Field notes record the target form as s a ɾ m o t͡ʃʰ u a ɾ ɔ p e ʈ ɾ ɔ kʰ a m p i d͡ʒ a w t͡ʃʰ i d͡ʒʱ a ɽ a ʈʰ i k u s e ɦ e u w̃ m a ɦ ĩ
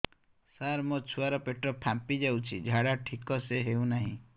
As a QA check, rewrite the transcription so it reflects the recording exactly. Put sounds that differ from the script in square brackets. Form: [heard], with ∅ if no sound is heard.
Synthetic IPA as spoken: s a ɾ m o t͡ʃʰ u a ɾ ɔ p e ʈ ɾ ɔ [pʰ] a m p i d͡ʒ a w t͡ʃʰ i d͡ʒʱ a ɽ a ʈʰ i k [ɔ] s e ɦ e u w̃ [n] a ɦ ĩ